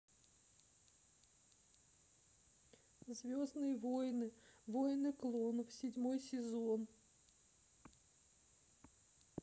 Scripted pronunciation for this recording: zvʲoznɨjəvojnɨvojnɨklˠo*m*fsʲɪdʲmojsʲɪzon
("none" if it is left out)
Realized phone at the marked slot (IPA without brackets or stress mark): n